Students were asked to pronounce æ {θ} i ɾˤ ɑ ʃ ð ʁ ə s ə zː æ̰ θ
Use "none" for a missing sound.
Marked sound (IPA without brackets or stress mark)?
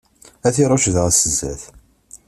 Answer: θ